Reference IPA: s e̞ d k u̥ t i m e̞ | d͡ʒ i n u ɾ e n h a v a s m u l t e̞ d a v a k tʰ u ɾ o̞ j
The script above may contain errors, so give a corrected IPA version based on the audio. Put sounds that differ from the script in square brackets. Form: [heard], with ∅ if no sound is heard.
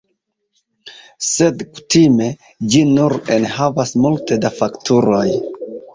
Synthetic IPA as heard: s e̞ d k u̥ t i m e̞ | d͡ʒ i n u ɾ e n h a v a s m u l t e̞ d a [f] a k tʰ u ɾ o̞ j